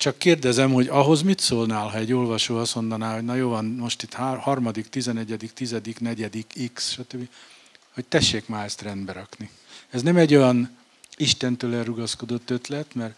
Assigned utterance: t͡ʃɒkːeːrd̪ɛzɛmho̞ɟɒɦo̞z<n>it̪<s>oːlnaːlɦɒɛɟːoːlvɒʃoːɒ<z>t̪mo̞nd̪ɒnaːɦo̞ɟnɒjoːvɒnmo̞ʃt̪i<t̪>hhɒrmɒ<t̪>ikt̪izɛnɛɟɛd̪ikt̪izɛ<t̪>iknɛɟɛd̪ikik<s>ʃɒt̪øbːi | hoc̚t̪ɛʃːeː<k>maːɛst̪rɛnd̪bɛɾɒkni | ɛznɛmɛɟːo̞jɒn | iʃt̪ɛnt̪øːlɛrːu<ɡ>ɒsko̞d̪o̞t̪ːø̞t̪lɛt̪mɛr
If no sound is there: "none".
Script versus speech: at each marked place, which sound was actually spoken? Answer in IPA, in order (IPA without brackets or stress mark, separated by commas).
m, s, s, t̪, d̪, d̪, s, k, ɡ